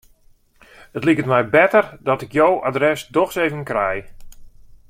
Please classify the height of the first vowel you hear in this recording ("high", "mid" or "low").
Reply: mid